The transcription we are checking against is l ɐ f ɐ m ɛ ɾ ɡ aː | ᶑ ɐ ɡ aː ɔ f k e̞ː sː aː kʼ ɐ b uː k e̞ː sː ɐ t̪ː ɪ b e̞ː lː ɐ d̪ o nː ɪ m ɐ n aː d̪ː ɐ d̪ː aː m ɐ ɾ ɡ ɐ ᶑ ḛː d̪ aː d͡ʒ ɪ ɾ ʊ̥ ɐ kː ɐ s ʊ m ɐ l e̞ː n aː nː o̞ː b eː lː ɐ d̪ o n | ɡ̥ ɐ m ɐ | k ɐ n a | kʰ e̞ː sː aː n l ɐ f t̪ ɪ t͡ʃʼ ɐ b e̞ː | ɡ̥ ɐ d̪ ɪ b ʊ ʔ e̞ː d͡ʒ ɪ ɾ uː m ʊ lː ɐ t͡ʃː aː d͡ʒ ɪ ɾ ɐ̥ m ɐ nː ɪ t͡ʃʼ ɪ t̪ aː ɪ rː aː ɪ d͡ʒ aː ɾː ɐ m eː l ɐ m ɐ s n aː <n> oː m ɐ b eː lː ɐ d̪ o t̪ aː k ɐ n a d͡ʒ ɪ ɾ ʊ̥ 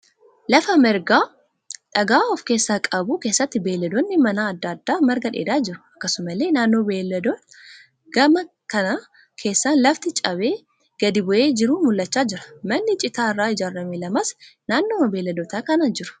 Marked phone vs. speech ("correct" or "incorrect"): incorrect